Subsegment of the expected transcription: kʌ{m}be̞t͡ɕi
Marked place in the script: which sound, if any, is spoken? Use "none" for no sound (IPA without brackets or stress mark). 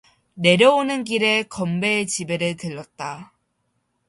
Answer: m